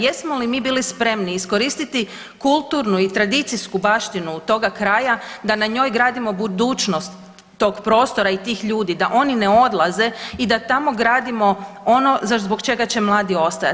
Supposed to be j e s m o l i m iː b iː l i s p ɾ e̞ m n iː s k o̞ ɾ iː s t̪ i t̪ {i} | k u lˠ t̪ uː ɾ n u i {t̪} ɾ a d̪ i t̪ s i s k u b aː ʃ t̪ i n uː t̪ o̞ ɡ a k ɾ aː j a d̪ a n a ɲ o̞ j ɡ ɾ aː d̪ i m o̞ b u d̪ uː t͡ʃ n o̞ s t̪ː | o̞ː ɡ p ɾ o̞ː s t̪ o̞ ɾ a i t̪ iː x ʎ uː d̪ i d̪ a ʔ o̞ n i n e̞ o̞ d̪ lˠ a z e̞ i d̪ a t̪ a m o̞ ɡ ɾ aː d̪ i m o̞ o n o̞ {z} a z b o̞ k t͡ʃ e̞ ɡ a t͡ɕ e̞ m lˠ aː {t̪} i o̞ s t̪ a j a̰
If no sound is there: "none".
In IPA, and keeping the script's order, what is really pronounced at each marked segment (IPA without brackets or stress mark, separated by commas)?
i, t̪, z, d̪